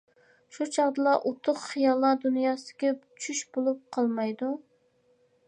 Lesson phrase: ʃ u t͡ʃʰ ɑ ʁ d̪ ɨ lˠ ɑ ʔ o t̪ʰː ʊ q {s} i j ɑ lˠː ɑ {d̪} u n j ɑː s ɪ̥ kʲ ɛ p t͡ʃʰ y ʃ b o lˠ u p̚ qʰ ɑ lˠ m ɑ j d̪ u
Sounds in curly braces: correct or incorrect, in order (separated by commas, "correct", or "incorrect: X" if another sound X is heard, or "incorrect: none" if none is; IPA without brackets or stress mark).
incorrect: χ, correct